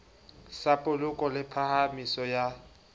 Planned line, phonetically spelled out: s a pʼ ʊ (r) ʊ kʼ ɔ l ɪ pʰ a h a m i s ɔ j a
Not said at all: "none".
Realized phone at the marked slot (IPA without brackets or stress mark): l